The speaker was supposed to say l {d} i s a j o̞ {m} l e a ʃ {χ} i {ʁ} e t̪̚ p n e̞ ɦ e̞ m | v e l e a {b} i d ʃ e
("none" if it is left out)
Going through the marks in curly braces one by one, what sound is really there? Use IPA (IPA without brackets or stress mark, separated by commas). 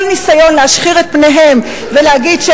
n, n, χ, ʁ, ɡ